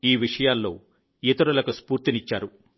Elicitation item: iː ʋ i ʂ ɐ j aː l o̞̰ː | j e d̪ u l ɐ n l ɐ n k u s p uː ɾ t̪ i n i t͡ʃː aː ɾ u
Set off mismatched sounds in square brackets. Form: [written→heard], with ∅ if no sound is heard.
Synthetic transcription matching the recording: iː ʋ i ʂ ɐ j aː [l→lː] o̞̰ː | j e [d̪→t̪] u [l→ɾ] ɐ [n→∅] l ɐ [n→∅] k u s p uː ɾ t̪ i n i t͡ʃː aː ɾ u